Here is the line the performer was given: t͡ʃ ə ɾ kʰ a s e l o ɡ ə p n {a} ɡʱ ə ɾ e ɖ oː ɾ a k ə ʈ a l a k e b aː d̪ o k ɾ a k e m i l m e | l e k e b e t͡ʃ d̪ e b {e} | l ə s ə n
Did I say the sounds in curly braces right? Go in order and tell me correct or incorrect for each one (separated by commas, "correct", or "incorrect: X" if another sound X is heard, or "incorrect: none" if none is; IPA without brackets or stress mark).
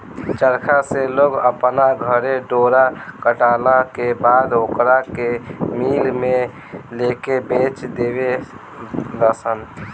correct, correct